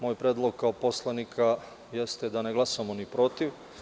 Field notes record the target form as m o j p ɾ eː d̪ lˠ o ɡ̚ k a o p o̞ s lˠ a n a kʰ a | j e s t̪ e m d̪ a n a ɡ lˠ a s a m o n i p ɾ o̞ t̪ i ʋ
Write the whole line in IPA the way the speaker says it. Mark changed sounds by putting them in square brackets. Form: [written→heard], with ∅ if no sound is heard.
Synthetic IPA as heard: m o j p ɾ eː d̪ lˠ o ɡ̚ k a o p o̞ s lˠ a n [a→i] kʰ a | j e s t̪ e [m→∅] d̪ a n [a→e] ɡ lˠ a s a m o n i p ɾ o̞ t̪ i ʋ